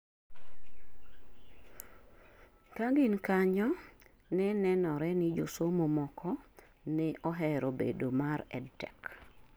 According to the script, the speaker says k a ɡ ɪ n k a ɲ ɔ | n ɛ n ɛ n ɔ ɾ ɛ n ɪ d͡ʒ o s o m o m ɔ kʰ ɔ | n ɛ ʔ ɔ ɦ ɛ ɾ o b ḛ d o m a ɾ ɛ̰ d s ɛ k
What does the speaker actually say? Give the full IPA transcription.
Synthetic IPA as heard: k a ɡ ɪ n k a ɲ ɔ | n ɛ n ɛ n ɔ ɾ ɛ n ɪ d͡ʒ o s o m o m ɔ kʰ ɔ | n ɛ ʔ ɔ ɦ ɛ ɾ o b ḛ d o m a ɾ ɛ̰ d t ɛ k

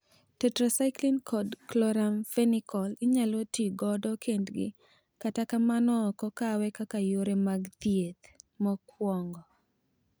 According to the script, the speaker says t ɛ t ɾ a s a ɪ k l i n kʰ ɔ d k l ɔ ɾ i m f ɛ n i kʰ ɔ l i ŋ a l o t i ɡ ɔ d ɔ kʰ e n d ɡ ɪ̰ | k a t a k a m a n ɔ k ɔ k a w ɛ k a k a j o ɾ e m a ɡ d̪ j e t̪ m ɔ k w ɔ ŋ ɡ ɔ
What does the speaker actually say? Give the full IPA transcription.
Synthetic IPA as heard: t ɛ t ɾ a s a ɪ k l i n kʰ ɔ d k l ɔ ɾ a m f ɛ n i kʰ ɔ l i ɲ a l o t i ɡ ɔ d ɔ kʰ e n d ɡ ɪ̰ | k a t a k a m a n ɔ k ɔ k a w ɛ k a k a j o ɾ e m a ɡ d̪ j e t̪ m ɔ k w ɔ ŋ ɡ ɔ

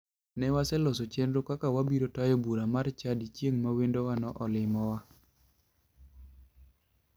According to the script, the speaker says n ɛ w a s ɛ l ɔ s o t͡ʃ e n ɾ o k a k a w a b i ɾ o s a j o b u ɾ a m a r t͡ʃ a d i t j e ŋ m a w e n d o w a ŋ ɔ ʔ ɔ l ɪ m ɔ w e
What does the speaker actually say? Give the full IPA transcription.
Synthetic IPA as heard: n ɛ w a s ɛ l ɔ s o t͡ʃ e n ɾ o k a k a w a b i ɾ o t a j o b u ɾ a m a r t͡ʃ a d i t͡ʃ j e ŋ m a w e n d o w a n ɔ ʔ ɔ l ɪ m ɔ w a

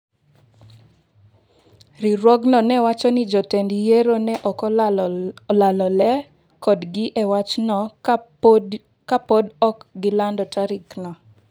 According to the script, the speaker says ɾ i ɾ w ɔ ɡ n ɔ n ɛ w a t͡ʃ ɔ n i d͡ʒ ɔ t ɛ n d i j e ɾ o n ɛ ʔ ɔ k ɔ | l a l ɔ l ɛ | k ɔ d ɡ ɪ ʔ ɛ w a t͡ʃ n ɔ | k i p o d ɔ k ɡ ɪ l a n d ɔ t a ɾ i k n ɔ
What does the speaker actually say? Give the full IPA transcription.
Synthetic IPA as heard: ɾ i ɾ w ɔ ɡ n ɔ n ɛ w a t͡ʃ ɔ n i d͡ʒ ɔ t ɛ n d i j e ɾ o n ɛ ʔ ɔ k ɔ | l a l ɔ l ɛ | k ɔ d ɡ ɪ ʔ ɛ w a t͡ʃ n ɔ | k a p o d ɔ k ɡ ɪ l a n d ɔ t a ɾ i k n ɔ

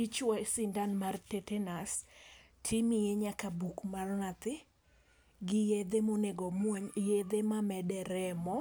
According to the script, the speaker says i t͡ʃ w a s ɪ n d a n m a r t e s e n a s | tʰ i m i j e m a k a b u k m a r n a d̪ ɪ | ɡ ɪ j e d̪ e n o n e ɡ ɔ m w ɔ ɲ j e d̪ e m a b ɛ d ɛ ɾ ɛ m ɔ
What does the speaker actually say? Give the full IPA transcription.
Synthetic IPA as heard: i t͡ʃ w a s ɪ n d a n m a r t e t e n a s | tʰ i m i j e ɲ a k a b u k m a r n a t̪ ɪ | ɡ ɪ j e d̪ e m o n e ɡ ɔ m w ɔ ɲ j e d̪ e m a m ɛ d ɛ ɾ ɛ m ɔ

